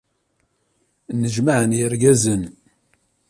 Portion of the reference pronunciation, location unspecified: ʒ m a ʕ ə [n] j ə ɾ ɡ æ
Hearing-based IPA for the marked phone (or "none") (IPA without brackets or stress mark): n